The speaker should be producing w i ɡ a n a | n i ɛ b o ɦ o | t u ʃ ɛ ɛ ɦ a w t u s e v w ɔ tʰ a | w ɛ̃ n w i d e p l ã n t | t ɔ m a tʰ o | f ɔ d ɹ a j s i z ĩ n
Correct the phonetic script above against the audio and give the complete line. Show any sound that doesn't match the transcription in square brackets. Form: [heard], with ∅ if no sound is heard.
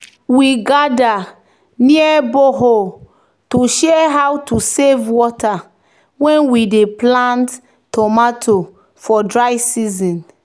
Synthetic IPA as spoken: w i ɡ a [d] a | n i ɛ b o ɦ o | t u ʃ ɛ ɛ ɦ a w t u s e v w ɔ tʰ a | w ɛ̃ n w i d e p l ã n t | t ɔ m a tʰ o | f ɔ d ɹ a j s i z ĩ n